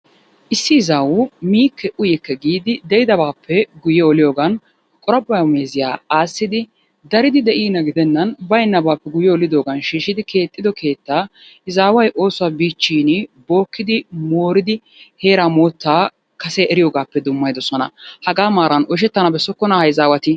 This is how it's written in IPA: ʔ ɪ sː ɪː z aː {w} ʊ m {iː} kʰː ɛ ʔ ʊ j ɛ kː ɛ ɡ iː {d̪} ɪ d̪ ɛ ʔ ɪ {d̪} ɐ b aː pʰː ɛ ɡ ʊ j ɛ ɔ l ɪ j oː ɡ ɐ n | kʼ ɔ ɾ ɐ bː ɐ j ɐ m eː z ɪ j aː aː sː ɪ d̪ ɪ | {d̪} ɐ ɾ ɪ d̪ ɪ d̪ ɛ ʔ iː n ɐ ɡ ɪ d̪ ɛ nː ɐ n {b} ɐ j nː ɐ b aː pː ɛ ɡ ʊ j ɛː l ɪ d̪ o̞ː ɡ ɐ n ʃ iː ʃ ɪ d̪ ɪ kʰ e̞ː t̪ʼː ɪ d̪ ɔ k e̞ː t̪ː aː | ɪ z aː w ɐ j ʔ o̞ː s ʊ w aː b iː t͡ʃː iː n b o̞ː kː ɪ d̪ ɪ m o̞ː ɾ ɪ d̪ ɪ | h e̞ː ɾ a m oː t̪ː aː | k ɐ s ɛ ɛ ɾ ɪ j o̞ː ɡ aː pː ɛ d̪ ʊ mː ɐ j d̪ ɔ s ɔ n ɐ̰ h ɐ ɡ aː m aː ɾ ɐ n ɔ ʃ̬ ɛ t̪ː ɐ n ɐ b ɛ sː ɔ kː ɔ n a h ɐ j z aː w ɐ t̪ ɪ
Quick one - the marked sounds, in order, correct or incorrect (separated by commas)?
correct, correct, correct, correct, correct, correct